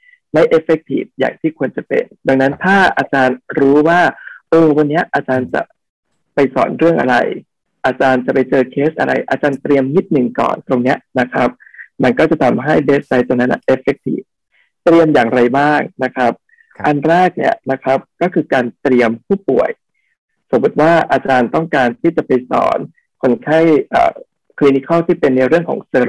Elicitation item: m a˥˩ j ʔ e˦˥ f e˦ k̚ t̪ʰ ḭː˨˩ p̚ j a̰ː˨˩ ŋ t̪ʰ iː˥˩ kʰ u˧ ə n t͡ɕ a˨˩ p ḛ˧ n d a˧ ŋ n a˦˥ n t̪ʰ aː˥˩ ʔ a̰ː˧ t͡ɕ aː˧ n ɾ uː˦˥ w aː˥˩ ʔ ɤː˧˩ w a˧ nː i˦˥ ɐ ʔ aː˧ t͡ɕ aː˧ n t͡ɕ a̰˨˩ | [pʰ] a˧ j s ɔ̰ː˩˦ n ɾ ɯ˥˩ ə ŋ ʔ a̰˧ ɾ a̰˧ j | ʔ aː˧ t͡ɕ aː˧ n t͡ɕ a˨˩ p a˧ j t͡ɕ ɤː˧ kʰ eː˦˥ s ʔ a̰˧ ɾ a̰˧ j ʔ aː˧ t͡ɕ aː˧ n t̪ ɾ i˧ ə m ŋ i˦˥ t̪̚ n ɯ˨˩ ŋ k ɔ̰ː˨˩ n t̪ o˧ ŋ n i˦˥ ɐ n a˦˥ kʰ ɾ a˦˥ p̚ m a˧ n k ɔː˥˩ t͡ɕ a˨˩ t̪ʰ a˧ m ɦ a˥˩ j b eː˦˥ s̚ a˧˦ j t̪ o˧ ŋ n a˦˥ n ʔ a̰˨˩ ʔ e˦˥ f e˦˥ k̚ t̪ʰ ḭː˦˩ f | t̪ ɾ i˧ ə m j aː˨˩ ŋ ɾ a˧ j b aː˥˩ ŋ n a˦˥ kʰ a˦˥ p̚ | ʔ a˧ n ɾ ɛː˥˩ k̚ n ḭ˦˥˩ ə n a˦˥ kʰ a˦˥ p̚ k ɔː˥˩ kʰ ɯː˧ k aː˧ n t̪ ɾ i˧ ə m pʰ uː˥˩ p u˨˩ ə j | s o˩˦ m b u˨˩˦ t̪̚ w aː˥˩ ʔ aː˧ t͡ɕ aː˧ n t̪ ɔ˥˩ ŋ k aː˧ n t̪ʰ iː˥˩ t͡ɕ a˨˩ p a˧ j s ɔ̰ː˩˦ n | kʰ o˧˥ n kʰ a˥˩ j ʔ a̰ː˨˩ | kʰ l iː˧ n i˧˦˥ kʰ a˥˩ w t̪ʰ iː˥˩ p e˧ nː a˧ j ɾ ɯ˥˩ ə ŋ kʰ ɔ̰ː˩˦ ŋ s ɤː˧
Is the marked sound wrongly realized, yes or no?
yes